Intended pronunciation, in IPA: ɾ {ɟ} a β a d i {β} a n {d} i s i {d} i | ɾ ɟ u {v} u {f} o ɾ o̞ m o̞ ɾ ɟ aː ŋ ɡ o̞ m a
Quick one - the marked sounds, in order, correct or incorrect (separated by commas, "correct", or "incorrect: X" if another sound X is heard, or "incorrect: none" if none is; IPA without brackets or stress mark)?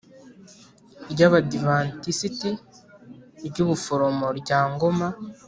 correct, incorrect: v, incorrect: t, incorrect: t, incorrect: β, correct